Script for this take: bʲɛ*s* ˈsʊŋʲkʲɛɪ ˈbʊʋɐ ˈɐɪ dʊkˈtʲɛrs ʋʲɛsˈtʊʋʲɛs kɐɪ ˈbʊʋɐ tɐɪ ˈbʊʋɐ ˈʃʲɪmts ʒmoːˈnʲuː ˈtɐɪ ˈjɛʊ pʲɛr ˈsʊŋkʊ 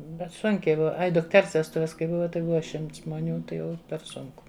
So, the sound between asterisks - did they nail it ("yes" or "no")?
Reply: no